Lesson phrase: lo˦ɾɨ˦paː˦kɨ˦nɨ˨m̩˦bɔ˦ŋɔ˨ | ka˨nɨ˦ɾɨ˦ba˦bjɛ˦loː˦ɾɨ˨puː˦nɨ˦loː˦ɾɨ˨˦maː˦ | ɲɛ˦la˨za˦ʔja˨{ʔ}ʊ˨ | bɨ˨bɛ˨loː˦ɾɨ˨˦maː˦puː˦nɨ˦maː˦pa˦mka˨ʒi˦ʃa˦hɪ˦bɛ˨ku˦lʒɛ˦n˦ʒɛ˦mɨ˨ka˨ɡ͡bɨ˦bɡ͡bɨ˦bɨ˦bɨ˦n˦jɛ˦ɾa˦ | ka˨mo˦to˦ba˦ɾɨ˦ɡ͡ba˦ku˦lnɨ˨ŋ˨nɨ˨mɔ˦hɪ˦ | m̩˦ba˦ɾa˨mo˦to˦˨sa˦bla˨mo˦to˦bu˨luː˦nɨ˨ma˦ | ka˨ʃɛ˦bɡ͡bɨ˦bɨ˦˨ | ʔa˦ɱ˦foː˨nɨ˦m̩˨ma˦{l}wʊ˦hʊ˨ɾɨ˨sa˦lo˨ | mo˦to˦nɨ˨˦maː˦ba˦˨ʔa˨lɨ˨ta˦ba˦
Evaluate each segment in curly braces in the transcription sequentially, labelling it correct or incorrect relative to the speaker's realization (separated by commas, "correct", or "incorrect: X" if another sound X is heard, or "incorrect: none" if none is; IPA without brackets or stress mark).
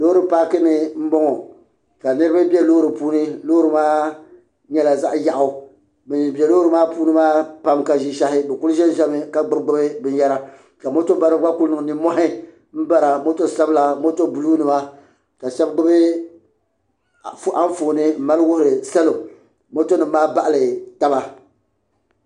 correct, correct